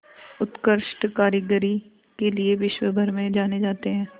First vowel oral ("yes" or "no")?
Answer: yes